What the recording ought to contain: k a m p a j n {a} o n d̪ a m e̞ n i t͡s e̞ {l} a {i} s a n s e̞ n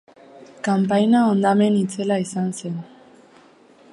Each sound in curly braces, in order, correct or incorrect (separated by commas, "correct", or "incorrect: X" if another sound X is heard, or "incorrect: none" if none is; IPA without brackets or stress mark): correct, correct, correct